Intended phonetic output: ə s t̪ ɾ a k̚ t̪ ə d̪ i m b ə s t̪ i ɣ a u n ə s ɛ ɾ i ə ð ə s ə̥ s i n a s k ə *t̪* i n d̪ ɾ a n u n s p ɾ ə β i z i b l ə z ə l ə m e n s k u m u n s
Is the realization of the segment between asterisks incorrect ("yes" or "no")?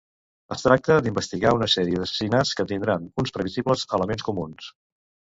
no